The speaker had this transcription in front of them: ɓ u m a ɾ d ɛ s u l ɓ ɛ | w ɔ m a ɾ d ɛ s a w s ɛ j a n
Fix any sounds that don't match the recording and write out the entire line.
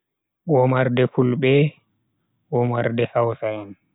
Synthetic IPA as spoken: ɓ ɔ m a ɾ d ɛ f u l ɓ ɛ | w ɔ m a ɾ d ɛ h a w s a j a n